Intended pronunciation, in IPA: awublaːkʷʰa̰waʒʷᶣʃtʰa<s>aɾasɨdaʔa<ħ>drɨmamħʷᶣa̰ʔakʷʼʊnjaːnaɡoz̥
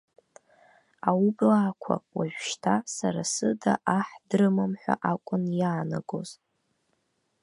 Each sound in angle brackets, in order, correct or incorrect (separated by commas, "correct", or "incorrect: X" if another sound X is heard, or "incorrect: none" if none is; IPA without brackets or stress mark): correct, correct